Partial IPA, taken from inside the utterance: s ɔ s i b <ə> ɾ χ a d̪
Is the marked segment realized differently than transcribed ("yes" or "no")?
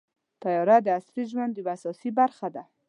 yes